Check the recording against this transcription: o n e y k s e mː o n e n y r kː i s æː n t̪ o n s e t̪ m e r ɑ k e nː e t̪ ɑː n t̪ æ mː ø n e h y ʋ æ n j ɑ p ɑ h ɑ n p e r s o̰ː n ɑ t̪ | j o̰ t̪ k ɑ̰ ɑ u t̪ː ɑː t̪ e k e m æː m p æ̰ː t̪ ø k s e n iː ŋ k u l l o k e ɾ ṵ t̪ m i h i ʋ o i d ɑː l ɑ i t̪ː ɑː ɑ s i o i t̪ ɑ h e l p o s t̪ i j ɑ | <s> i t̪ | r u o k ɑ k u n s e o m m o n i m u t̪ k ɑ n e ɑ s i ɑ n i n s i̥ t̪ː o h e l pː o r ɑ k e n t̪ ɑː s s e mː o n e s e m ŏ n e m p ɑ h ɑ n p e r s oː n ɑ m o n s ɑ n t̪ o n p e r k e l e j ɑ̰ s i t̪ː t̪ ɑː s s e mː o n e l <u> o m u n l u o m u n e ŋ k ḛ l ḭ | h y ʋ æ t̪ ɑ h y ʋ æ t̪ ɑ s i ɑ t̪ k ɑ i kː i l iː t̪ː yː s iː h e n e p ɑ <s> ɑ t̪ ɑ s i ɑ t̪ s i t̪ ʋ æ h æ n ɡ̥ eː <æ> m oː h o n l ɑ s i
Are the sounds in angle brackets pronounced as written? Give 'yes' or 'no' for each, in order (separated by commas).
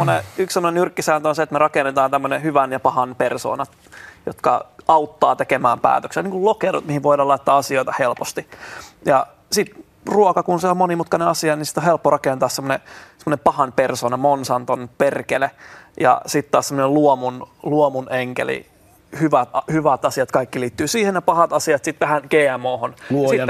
yes, yes, no, yes